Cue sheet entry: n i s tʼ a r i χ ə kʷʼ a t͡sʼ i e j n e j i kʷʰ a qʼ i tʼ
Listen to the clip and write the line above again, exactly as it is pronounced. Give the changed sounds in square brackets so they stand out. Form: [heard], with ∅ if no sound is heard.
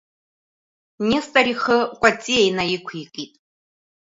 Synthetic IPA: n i s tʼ a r i χ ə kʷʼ a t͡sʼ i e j n [a] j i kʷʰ [i] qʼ i tʼ